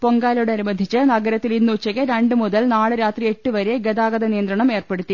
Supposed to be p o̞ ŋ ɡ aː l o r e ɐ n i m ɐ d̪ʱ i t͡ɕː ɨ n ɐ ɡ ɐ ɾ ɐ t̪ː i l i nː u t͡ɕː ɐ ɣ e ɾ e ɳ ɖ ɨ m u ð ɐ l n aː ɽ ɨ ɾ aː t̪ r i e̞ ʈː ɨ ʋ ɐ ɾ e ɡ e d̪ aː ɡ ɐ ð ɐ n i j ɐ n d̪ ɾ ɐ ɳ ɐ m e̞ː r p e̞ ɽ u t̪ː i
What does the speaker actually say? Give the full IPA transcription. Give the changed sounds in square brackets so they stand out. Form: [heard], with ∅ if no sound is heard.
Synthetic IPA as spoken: p o̞ ŋ ɡ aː l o [ɽ] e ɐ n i m ɐ d̪ʱ i t͡ɕː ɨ n ɐ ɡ ɐ ɾ ɐ t̪ː i l i nː u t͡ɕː ɐ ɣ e ɾ e ɳ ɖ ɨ m u ð ɐ l n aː [ɭ] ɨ ɾ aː t̪ r i e̞ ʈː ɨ ʋ ɐ ɾ e ɡ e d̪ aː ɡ ɐ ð ɐ n i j ɐ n d̪ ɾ ɐ ɳ ɐ m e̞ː r p e̞ ɽ u t̪ː i